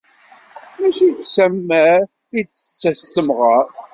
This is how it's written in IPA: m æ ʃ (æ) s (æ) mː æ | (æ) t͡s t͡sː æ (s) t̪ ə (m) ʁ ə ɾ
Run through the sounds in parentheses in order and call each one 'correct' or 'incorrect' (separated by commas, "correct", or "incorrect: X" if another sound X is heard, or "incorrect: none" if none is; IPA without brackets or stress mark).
incorrect: i, correct, incorrect: i, correct, correct